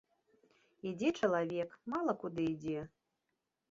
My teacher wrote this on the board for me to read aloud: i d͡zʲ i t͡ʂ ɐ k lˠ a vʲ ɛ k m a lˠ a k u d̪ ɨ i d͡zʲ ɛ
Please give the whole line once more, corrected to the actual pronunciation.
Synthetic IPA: i d͡zʲ ɛ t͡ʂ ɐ lˠ a vʲ ɛ k m a lˠ ɐ k u d̪ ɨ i d͡zʲ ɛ